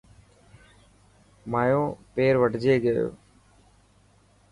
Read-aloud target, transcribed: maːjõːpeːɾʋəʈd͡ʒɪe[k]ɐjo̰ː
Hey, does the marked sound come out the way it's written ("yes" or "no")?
no